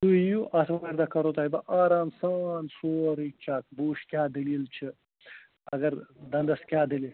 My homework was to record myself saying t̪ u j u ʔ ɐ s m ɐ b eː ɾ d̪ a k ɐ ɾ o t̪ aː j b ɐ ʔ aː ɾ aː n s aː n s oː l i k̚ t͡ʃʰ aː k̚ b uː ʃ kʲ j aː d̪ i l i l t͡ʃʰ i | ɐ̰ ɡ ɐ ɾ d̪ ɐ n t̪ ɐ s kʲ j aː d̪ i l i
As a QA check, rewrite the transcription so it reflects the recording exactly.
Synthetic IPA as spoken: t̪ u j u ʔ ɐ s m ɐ m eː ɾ d̪ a k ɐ ɾ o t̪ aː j b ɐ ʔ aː ɾ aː n s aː n s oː ɾ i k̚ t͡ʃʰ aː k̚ b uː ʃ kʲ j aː d̪ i l i l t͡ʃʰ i | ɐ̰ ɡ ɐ ɾ d̪ ɐ n d̪ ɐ s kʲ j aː d̪ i l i